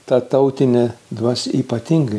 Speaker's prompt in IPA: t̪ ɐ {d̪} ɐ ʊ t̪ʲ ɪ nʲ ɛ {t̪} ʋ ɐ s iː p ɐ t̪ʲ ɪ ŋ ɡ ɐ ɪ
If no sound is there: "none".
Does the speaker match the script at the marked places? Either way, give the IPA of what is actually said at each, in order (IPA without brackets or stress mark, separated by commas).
t̪, d̪